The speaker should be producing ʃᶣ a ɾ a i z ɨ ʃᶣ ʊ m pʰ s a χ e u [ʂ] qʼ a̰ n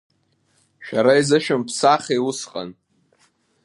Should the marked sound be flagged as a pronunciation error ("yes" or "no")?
yes